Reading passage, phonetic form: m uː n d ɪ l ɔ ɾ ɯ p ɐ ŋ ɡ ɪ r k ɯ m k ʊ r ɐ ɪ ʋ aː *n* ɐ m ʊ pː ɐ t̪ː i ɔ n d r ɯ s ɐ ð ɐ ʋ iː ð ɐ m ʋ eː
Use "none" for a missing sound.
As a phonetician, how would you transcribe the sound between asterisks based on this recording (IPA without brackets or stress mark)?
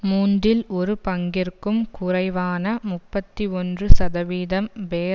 n